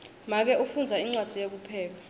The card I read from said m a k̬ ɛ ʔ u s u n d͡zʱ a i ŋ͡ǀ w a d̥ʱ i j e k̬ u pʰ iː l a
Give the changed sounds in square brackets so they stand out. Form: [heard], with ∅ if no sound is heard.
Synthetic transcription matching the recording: m a k̬ ɛ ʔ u [f] u n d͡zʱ a i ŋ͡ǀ w a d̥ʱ i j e k̬ u pʰ [ɛː] l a